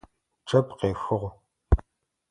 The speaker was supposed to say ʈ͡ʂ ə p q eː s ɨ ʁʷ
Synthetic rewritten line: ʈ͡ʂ ɐ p q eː x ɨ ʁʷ